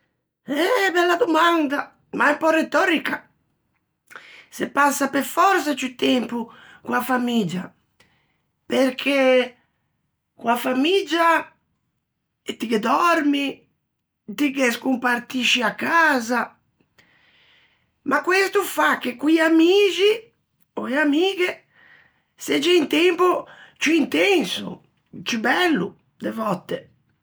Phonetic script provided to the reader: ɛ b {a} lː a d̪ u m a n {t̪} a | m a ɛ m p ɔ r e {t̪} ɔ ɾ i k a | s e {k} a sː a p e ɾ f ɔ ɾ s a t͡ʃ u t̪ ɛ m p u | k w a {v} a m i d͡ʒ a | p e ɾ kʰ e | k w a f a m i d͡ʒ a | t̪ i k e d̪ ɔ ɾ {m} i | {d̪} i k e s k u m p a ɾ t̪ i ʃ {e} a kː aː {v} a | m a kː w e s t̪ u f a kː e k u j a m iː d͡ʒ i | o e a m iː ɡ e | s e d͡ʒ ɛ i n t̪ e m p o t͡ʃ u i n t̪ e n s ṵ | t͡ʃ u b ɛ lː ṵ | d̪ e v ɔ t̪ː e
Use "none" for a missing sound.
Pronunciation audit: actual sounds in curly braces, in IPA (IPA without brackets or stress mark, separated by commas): ɛ, d̪, t̪, p, f, m, t̪, i, z